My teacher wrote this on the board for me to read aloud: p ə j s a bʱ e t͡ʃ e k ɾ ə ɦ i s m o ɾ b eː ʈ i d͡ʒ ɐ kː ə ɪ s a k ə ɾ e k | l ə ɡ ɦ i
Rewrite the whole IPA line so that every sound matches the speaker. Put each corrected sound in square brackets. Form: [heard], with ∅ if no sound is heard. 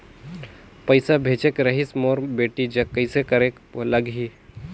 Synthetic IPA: p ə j s a bʱ e t͡ʃ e k ɾ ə ɦ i s m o ɾ b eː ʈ i d͡ʒ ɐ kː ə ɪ s [e] k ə ɾ e k | l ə ɡ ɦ i